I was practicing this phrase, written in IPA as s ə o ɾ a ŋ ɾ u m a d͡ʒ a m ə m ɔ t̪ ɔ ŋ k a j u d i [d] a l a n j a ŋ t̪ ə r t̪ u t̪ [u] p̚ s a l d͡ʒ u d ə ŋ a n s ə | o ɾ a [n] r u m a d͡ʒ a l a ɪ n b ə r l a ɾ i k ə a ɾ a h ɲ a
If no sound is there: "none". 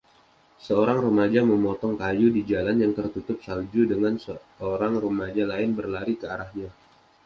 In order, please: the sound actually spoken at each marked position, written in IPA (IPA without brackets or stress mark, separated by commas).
d͡ʒ, ʊ, ŋ